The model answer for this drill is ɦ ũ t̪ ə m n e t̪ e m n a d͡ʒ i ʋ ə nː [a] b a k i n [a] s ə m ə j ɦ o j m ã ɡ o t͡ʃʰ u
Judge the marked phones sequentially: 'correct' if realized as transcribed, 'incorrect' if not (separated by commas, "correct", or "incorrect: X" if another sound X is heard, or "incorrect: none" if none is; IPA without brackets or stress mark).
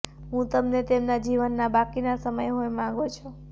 correct, correct